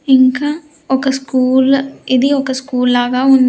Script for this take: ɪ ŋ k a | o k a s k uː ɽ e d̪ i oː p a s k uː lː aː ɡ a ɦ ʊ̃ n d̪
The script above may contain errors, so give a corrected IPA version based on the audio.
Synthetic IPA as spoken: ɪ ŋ k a | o k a s k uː l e d̪ i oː k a s k uː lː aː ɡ a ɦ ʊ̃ n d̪